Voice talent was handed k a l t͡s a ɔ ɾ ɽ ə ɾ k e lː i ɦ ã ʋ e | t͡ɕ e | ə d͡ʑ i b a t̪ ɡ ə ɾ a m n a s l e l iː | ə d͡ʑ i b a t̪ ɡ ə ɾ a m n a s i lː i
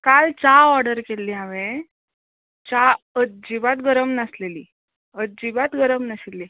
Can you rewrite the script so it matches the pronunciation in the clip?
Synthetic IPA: k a l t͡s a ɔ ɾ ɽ ə ɾ k e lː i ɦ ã ʋ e | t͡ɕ a | ə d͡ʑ i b a t̪ ɡ ə ɾ ə m n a s l e l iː | ə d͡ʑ i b a t̪ ɡ ə ɾ ə m n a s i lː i